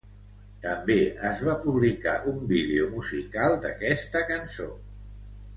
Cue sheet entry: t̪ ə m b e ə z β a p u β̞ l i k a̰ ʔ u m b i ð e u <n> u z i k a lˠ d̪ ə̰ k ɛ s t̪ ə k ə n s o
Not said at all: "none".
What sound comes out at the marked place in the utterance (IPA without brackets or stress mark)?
m